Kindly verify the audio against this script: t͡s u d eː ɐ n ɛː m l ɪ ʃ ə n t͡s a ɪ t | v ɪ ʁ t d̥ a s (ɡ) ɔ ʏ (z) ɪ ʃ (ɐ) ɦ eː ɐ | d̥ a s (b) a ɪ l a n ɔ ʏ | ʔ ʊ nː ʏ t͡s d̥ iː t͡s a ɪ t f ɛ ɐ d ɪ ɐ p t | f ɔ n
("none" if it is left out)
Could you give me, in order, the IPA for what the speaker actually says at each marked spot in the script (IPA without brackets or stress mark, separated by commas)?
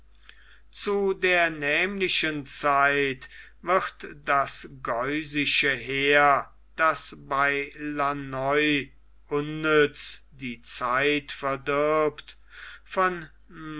ɡ, z, ə, b